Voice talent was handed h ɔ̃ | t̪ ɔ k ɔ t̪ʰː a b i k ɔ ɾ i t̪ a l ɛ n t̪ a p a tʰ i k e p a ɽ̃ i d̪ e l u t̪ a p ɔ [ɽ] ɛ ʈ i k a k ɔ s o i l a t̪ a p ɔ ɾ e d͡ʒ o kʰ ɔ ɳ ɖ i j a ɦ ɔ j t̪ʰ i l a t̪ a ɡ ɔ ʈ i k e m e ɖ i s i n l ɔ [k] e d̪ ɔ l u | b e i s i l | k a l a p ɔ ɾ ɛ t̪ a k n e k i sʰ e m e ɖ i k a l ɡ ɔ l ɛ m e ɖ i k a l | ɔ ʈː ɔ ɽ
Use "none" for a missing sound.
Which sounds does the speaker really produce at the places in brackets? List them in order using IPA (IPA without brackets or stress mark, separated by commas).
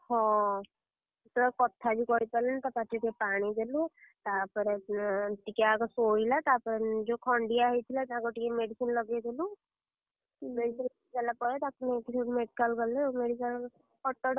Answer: ɾ, ɡ